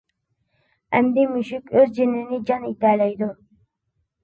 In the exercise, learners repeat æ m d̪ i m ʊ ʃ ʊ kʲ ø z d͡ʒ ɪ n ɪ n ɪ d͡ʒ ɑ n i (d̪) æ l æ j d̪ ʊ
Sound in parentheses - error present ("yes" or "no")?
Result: yes